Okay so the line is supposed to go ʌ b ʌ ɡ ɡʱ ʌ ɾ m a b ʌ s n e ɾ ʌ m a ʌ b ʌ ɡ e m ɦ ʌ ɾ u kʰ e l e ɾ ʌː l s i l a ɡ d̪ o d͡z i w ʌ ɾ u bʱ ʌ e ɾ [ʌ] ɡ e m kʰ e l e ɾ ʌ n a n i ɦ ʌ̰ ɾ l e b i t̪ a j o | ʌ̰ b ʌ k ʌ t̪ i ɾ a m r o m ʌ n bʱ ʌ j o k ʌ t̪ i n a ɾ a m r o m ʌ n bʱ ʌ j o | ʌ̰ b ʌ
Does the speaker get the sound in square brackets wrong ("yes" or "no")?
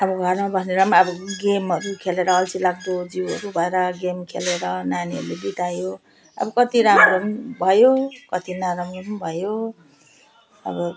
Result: no